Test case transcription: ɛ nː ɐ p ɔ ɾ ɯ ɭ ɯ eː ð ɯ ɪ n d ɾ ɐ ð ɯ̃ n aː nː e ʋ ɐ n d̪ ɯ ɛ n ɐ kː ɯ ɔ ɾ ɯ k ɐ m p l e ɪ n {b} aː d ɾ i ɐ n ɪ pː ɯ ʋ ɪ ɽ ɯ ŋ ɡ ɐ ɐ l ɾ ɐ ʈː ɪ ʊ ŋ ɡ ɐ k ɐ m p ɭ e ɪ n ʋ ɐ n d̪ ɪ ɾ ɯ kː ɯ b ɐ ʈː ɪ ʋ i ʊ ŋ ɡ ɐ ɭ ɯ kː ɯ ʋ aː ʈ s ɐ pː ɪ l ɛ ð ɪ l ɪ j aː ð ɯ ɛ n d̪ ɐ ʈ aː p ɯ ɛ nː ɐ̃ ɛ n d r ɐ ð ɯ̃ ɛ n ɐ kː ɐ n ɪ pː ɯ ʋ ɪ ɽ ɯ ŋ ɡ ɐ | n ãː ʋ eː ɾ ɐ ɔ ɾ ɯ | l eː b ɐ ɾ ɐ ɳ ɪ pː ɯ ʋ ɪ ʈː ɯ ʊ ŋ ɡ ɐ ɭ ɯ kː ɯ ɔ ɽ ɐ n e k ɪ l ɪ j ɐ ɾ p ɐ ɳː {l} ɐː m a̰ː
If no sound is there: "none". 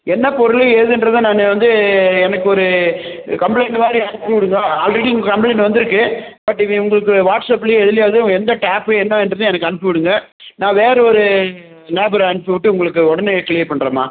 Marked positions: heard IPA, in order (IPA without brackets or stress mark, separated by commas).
m, ɾ